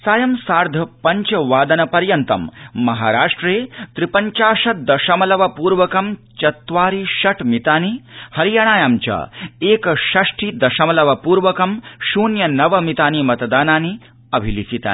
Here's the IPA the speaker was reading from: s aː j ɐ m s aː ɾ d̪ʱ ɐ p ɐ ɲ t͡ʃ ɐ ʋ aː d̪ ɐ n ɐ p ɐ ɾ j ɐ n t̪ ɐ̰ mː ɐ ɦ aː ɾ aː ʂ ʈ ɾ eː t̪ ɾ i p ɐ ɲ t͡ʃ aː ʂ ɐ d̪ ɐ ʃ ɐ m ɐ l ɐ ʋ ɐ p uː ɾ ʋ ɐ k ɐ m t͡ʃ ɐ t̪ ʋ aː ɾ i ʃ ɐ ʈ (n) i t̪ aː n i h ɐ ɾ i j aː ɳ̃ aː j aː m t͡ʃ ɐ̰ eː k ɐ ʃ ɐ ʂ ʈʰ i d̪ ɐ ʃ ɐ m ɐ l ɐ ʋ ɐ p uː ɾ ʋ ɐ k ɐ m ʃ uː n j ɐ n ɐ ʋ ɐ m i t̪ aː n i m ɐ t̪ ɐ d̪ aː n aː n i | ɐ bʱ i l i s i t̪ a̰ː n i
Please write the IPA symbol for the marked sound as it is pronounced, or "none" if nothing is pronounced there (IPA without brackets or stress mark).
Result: m